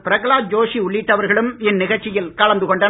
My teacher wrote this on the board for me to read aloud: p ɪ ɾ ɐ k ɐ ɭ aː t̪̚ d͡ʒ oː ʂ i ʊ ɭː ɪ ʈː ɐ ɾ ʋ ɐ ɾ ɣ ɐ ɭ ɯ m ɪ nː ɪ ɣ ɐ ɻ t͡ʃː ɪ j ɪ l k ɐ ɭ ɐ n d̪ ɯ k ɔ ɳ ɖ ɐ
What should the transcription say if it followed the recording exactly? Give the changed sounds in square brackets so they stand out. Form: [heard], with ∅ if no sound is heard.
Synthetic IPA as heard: p ɪ ɾ ɐ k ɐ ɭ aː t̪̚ d͡ʒ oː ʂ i ʊ ɭː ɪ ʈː ɐ [∅] ʋ ɐ ɾ ɣ ɐ ɭ ɯ m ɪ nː ɪ ɣ ɐ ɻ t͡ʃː ɪ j ɪ l k ɐ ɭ ɐ n d̪ ɯ k ɔ ɳ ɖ ɐ